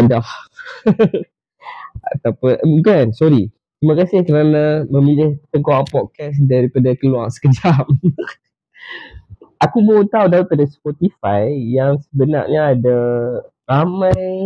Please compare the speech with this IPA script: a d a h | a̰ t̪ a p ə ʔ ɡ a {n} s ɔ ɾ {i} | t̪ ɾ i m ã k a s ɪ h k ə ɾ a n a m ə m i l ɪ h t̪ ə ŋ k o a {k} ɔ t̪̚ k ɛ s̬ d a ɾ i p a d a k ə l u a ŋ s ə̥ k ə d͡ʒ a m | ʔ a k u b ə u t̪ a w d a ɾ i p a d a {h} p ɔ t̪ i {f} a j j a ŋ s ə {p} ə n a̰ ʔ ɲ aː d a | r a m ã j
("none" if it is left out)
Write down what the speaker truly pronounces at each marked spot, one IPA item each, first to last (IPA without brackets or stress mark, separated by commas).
n, i, p, s, f, b